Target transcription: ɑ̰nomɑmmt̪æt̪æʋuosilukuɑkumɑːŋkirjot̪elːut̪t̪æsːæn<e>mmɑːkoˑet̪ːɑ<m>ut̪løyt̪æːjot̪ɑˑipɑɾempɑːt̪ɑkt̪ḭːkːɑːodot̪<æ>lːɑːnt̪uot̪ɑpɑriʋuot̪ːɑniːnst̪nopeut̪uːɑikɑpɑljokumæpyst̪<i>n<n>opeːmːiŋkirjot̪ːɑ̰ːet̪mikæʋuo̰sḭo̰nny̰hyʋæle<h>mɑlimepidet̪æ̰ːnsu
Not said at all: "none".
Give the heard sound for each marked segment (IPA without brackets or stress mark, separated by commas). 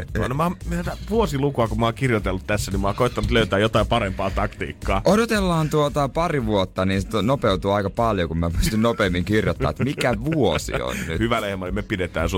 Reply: i, n, e, y, n, h